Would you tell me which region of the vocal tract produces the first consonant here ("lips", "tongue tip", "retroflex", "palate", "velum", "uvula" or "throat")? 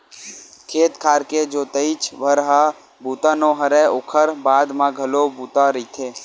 velum